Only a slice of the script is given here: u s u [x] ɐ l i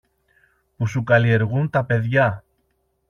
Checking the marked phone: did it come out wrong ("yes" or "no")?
yes